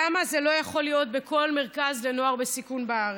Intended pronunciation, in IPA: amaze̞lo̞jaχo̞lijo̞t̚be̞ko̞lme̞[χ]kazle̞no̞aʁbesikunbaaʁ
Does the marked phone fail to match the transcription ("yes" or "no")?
yes